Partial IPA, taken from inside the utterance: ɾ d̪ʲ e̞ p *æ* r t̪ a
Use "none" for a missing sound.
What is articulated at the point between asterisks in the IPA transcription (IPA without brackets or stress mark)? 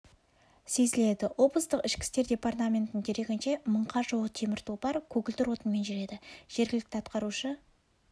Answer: a